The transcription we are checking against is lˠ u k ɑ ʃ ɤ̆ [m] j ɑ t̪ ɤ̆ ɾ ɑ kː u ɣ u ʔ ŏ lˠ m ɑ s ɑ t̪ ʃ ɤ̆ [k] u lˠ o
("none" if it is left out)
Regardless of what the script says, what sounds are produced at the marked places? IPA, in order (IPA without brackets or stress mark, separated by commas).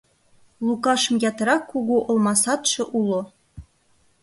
m, ʔ